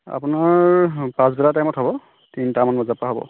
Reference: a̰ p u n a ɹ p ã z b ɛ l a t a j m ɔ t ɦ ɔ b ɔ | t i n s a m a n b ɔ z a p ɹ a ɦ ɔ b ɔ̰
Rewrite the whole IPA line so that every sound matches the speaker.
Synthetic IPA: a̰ p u n a ɹ p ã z b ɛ l a t a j m ɔ t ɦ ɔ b ɔ | t i n t a m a n b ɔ z a p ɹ a ɦ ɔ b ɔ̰